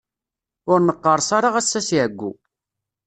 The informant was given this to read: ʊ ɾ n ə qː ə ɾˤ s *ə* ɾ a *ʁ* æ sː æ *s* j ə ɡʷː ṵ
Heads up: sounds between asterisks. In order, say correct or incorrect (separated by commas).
incorrect, correct, correct